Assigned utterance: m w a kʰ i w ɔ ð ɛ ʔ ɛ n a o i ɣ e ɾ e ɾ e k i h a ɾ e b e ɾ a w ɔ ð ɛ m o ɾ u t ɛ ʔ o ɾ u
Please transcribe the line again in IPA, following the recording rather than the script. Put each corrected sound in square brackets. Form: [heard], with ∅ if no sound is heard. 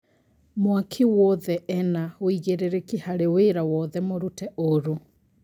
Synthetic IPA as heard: m w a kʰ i w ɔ ð ɛ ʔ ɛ n a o i ɣ e ɾ e ɾ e k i h a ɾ e [w] e ɾ a w ɔ ð ɛ m o ɾ u t ɛ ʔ o ɾ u